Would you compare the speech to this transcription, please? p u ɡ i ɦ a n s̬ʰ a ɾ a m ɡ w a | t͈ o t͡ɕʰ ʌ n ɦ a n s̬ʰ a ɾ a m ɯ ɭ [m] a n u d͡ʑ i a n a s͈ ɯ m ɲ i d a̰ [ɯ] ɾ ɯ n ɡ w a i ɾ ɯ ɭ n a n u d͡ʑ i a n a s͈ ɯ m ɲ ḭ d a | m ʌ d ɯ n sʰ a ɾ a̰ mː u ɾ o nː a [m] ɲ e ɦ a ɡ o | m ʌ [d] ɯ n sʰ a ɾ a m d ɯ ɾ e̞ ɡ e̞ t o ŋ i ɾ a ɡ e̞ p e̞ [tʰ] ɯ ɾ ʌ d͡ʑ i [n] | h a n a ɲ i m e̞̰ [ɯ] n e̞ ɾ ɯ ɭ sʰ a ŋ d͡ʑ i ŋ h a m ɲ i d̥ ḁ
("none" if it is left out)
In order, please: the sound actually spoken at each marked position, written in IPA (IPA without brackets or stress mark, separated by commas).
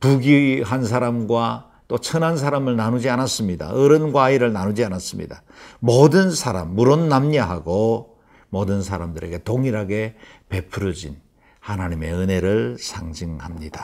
n, ɯ, m, d, pʰ, n, ɯ